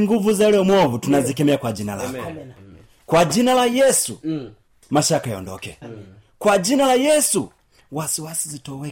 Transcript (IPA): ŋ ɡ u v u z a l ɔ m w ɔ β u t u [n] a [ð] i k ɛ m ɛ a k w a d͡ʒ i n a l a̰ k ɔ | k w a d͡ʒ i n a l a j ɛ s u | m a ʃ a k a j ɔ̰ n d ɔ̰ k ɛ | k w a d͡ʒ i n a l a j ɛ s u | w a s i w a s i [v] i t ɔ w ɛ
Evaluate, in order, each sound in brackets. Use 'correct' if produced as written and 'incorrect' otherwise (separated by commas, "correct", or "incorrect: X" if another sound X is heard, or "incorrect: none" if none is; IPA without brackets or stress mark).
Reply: correct, incorrect: z, incorrect: z